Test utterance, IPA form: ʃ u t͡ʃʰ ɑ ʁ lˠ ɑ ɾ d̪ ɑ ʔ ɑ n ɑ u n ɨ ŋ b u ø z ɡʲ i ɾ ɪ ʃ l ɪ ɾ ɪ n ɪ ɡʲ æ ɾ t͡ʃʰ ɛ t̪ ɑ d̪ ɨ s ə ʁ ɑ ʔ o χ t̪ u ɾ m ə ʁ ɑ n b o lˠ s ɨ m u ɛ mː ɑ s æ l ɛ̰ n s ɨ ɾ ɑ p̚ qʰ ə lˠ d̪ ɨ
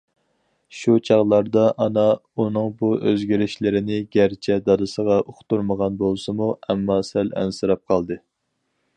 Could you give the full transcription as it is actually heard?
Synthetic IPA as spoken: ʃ u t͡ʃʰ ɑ ʁ lˠ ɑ ɾ d̪ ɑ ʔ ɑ n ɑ u n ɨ ŋ b u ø z ɡʲ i ɾ ɪ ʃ l ɪ ɾ ɪ n ɪ ɡʲ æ ɾ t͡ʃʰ ɛ d̪ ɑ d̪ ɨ s ə ʁ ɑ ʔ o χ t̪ u ɾ m ə ʁ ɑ n b o lˠ s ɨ m u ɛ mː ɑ s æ l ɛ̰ n s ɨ ɾ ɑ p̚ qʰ ɑ lˠ d̪ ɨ